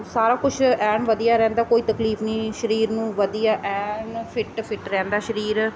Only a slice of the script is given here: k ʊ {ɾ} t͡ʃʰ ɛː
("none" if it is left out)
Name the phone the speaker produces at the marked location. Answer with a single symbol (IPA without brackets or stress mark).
none